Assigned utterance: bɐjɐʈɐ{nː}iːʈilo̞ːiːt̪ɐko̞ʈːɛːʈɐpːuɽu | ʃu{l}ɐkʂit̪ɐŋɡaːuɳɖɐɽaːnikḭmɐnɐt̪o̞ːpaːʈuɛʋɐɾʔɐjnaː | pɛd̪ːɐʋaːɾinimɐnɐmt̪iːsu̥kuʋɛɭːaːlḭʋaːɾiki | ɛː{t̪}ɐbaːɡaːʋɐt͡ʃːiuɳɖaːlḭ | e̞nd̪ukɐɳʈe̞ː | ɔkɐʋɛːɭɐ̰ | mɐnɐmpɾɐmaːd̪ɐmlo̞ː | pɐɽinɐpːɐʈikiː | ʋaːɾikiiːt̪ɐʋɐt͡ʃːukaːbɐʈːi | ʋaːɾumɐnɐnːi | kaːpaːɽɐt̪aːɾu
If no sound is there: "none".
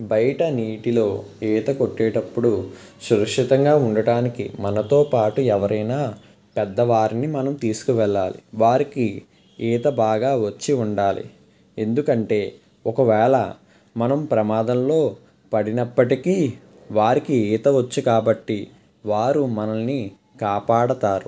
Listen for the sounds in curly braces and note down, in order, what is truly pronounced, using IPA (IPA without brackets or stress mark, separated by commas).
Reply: n, ɾ, t̪